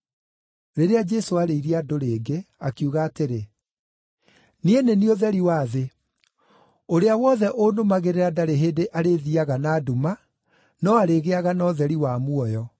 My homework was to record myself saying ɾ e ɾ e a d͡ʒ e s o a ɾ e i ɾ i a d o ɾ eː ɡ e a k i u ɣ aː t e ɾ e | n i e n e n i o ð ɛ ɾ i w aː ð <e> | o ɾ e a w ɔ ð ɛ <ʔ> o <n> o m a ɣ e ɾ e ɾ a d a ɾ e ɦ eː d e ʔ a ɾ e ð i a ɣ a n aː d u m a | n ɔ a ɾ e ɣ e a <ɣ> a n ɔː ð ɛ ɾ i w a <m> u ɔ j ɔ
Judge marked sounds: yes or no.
yes, yes, yes, yes, yes

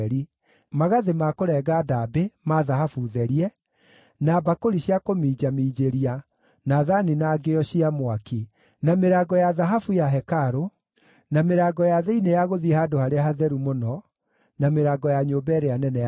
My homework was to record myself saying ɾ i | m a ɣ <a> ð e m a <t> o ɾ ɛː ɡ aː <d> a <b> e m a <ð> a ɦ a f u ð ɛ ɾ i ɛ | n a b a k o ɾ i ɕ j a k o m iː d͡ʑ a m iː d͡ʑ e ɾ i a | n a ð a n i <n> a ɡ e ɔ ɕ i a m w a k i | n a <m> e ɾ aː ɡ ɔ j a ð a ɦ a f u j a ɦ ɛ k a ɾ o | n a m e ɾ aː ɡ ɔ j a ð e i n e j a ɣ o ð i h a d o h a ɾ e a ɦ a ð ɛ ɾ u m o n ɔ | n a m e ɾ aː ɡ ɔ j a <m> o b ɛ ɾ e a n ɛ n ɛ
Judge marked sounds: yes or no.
yes, no, yes, yes, yes, yes, yes, no

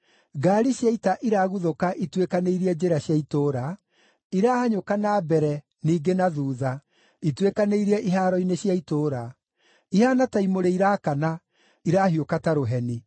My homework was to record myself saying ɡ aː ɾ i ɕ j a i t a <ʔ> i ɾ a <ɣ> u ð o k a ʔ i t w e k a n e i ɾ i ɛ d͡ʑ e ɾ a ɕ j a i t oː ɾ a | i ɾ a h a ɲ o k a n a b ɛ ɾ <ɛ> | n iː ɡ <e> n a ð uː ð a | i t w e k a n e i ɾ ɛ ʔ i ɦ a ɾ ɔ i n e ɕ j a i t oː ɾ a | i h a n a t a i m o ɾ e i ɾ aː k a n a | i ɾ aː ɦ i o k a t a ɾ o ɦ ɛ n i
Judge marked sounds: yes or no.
yes, yes, yes, yes

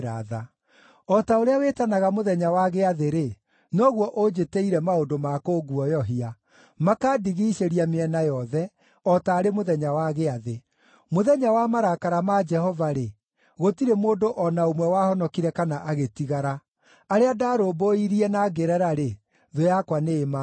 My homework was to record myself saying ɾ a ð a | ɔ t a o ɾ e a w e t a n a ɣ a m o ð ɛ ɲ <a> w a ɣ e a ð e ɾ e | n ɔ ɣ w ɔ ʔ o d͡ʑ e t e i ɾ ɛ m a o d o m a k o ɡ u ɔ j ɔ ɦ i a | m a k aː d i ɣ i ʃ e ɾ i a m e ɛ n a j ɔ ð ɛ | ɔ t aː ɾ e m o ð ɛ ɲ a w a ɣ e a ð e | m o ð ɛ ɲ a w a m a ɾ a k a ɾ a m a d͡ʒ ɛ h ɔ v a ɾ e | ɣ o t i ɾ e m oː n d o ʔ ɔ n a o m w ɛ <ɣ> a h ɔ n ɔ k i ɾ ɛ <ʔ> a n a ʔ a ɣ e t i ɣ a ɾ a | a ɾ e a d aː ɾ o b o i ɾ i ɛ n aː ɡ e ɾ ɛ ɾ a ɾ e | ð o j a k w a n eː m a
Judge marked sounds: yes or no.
yes, no, no

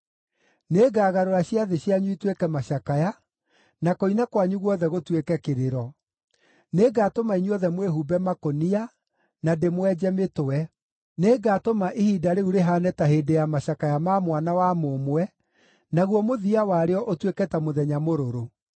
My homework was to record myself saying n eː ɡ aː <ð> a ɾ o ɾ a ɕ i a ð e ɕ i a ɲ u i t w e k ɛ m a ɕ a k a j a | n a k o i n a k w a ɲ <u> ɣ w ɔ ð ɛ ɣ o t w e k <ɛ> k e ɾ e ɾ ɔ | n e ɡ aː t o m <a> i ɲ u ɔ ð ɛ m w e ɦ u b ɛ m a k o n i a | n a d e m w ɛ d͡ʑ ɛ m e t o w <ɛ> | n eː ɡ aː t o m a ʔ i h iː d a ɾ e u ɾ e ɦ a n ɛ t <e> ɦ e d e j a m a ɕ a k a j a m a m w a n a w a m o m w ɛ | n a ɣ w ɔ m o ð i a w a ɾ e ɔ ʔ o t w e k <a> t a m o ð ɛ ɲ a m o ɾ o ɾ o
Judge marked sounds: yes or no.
no, yes, yes, yes, yes, no, no

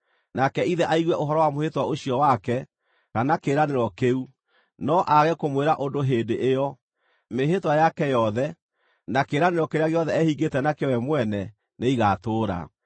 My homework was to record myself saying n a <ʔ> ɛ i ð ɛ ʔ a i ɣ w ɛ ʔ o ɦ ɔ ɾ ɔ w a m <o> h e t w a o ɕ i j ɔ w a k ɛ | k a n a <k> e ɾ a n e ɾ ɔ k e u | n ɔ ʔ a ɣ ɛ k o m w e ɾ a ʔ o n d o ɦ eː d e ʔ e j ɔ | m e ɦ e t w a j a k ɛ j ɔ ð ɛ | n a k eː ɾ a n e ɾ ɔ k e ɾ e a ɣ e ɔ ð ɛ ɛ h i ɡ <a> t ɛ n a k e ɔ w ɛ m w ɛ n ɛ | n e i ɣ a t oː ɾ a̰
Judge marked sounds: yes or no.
no, yes, yes, no

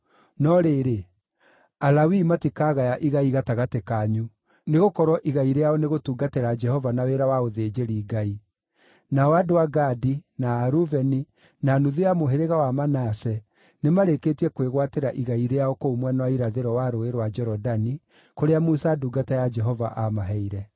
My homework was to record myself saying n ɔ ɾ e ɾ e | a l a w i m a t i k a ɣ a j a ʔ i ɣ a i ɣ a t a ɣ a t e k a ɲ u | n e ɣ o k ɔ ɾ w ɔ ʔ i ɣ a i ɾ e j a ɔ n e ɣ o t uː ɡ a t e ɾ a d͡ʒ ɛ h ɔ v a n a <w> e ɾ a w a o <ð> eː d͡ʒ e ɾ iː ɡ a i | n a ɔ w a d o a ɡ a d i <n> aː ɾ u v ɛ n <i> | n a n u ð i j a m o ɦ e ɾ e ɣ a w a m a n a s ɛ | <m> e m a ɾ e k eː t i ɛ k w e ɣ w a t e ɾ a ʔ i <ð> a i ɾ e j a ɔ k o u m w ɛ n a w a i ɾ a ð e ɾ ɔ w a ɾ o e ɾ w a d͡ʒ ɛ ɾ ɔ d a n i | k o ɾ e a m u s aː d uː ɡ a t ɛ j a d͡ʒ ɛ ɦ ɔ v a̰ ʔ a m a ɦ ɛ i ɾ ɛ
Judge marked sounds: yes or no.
yes, yes, yes, yes, no, no

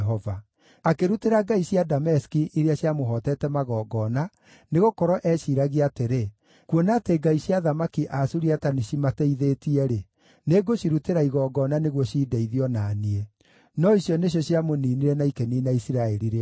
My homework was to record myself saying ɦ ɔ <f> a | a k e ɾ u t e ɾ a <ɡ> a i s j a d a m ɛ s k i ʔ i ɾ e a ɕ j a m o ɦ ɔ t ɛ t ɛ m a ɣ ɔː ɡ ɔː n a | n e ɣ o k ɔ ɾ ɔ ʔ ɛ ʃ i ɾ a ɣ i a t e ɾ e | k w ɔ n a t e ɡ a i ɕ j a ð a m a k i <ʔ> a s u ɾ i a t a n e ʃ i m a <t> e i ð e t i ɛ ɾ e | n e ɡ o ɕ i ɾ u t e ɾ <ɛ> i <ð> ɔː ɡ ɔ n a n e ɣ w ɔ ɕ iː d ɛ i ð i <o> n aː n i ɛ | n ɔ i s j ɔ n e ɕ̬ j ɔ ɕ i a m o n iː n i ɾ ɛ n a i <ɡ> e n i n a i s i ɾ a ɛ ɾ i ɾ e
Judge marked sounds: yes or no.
no, yes, yes, yes, no, no, no, no

